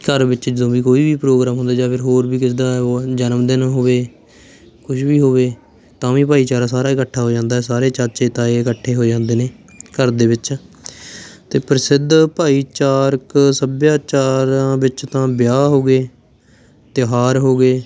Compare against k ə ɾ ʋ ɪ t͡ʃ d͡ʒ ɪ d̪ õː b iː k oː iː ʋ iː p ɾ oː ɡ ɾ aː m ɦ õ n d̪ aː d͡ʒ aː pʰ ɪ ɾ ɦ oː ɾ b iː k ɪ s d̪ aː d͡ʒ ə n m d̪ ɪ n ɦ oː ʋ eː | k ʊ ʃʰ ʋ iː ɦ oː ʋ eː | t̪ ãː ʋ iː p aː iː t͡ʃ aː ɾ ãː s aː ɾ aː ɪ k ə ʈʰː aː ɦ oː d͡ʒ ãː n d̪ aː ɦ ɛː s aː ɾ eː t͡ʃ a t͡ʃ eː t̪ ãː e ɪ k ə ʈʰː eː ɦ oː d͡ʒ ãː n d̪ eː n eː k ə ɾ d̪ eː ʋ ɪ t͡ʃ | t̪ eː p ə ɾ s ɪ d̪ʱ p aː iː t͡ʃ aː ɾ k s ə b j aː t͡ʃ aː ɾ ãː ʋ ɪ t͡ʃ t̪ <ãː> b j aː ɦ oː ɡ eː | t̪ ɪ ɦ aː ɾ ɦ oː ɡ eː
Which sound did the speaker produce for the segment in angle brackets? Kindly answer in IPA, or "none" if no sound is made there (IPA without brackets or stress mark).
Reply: ãː